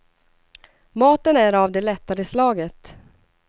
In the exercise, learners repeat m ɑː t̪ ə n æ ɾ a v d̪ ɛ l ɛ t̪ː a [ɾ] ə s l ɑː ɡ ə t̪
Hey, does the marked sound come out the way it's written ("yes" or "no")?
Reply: yes